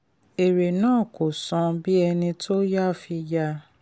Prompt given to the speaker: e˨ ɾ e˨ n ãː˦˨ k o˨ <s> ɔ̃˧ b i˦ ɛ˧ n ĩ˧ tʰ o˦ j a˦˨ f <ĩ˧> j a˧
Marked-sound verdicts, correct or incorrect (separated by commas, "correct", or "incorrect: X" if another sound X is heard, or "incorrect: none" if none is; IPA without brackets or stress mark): correct, incorrect: i˧